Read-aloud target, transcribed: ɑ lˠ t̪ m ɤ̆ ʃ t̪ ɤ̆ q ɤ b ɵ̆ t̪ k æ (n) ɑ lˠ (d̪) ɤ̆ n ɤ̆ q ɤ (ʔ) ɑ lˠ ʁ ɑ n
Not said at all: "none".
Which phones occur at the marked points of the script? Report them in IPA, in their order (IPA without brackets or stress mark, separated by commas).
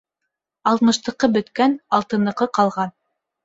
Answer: n, t̪, q